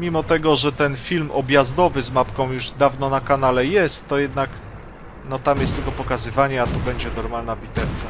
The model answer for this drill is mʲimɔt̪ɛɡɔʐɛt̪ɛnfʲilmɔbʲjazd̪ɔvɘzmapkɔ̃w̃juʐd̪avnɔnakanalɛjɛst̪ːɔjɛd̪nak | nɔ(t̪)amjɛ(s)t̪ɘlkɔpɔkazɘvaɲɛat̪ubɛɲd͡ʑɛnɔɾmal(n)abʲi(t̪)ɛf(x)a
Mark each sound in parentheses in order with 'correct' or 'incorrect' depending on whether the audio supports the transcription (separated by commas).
correct, correct, correct, correct, incorrect